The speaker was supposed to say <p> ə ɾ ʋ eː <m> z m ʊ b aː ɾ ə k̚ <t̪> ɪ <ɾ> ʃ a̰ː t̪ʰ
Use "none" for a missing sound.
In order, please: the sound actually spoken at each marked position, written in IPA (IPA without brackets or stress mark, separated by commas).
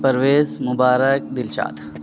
p, none, d̪, l